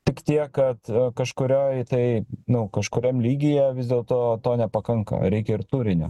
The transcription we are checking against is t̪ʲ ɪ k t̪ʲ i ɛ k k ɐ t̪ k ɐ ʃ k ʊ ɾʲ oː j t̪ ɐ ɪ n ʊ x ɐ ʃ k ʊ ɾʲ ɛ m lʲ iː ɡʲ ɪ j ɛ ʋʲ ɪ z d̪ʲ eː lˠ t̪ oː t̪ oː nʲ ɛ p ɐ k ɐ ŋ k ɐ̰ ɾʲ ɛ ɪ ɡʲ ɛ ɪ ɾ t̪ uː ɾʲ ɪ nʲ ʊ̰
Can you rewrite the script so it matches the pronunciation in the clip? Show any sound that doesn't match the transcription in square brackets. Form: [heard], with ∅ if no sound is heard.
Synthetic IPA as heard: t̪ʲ ɪ k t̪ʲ i ɛ k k ɐ t̪ k ɐ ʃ k ʊ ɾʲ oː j t̪ ɐ ɪ n ʊ [k] ɐ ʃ k ʊ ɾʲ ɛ m lʲ iː ɡʲ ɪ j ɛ ʋʲ ɪ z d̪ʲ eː lˠ t̪ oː t̪ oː nʲ ɛ p ɐ k ɐ ŋ k ɐ̰ ɾʲ ɛ ɪ [kʲ] ɛ ɪ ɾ t̪ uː ɾʲ ɪ nʲ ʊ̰